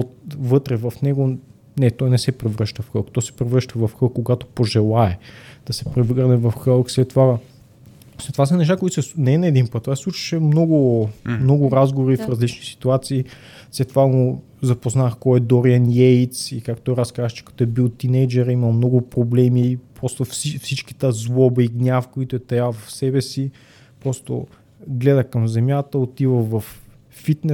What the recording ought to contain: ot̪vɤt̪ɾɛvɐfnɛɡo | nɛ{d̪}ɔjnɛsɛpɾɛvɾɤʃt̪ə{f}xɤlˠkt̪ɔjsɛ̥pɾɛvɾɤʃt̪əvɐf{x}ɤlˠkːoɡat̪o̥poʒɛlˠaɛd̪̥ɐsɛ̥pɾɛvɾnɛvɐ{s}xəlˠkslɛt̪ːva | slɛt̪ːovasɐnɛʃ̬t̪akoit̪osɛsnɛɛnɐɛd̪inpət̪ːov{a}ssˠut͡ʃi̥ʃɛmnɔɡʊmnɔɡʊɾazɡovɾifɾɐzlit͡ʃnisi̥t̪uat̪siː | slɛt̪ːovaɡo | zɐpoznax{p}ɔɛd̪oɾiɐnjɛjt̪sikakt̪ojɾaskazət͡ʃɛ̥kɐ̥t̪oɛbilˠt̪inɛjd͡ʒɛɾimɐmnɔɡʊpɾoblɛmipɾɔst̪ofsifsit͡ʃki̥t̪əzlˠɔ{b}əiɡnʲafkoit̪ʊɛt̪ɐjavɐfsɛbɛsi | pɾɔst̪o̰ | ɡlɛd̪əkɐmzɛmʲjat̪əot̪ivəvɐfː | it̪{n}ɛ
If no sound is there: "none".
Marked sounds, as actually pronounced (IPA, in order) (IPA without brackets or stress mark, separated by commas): t̪, f, x, f, a, k, b, n